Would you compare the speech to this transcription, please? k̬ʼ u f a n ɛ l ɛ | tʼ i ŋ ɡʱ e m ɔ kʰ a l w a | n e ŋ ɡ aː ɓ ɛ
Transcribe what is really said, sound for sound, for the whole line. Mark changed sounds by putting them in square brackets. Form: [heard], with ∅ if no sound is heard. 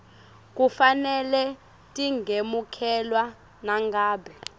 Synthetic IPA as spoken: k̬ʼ u f a n ɛ l ɛ | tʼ i ŋ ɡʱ e m [u] kʰ [ɛ] l w a | n [a] ŋ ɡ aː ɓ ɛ

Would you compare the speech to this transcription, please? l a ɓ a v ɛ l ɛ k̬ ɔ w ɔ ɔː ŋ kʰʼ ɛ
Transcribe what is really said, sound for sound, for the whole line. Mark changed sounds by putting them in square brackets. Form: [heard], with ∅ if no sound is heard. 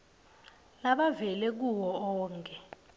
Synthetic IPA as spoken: l a ɓ a v ɛ l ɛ k̬ [u] w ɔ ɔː ŋ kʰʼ ɛ

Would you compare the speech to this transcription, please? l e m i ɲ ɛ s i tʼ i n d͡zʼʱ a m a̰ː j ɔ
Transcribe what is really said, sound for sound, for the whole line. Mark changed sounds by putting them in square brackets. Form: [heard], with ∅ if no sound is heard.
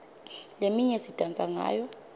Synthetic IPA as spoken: l e m i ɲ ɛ s i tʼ [a] n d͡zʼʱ a [ŋ] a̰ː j ɔ

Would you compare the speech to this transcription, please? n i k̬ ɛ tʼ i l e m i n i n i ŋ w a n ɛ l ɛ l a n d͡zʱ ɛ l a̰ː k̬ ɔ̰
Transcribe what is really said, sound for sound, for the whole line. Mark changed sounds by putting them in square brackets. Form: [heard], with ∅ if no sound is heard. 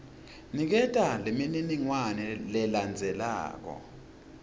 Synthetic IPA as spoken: n i k̬ ɛ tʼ [a] l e m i n i n i ŋ w a n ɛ l ɛ l a n d͡zʱ ɛ l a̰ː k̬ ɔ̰

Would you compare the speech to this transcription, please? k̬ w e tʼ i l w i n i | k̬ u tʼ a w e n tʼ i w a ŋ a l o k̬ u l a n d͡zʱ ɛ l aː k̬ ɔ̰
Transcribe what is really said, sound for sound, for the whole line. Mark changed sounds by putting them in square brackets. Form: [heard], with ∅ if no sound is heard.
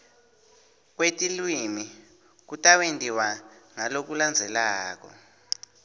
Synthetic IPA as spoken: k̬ w e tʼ i l w i [m] i | k̬ u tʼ a w e n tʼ i w a ŋ a l o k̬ u l a n d͡zʱ ɛ l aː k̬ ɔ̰

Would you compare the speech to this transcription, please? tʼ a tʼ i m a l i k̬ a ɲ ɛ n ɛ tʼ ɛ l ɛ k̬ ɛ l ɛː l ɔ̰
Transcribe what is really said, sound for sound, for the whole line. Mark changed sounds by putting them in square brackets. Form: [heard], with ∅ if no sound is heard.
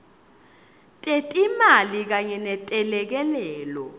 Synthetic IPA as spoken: tʼ [e] tʼ i m a l i k̬ a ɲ ɛ n ɛ tʼ ɛ l ɛ k̬ ɛ l ɛː l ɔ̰

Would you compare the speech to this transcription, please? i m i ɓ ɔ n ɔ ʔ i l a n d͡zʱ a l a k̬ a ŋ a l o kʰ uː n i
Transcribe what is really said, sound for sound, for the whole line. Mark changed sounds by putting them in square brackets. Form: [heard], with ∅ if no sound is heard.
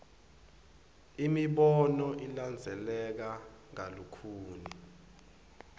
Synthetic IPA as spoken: i m i ɓ ɔ n ɔ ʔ i l a n d͡zʱ [ɛ] l [ɛ] k̬ a ŋ a l [u] kʰ uː n i

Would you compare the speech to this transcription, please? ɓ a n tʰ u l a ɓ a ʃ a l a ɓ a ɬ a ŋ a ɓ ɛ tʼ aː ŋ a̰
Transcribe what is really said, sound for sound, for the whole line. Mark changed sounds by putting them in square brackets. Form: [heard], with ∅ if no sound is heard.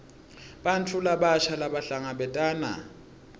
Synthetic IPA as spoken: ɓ a n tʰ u l a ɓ a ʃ a l a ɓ a ɬ a ŋ a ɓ ɛ tʼ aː [n] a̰

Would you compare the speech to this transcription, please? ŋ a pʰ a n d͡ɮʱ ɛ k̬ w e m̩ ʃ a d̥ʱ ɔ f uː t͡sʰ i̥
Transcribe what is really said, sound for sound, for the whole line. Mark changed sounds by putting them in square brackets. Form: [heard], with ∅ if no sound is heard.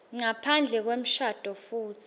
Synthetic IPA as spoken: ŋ a pʰ a n d͡ɮʱ ɛ k̬ w e m̩ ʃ a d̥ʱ ɔ f uː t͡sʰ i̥

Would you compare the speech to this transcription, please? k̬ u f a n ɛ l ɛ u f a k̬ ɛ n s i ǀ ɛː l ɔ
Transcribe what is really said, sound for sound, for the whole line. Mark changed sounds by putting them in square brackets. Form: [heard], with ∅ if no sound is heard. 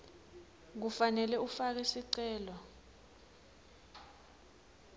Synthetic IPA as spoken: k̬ u f a n ɛ l ɛ u f a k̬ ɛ [∅] s i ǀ ɛː l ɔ

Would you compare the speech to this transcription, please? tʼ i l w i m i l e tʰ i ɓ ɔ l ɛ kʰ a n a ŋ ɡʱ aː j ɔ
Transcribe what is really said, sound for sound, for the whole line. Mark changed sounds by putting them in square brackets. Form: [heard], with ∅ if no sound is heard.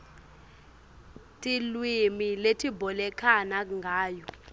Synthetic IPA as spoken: tʼ i l w i m i l e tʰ i [b] ɔ l ɛ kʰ a n a ŋ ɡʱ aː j ɔ

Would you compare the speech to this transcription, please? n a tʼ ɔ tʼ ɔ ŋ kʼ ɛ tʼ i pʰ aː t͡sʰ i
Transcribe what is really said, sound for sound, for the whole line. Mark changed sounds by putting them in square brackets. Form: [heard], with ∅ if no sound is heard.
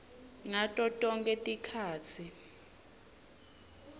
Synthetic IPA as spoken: [ŋ] a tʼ ɔ tʼ ɔ ŋ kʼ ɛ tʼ i [kʰ] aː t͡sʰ i

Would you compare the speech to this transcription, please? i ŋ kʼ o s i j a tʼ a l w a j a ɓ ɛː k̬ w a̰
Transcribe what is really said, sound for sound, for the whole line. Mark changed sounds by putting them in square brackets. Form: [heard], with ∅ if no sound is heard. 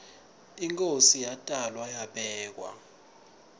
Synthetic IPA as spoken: i ŋ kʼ o s i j a tʼ a l w a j a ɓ ɛː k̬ w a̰

